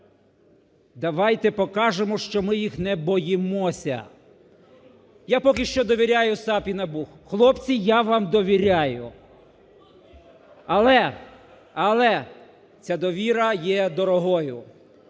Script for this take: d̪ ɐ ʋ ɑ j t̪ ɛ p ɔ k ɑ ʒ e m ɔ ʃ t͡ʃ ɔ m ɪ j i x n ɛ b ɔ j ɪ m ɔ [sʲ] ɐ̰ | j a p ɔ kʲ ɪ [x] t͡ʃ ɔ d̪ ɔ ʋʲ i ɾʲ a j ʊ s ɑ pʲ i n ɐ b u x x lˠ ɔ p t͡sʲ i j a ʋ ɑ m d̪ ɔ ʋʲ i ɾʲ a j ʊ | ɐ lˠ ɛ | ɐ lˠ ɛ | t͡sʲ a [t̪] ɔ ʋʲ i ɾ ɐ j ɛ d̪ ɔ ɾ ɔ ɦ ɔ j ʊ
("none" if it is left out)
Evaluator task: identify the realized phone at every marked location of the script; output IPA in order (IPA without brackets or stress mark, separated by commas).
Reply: sʲ, ʃ, d̪